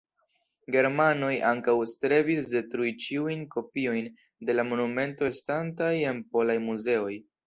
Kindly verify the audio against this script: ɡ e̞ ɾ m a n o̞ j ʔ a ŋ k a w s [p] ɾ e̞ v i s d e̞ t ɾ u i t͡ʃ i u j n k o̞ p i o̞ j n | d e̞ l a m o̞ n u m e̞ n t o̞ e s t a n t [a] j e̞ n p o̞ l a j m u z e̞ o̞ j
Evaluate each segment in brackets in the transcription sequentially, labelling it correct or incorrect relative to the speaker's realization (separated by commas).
incorrect, correct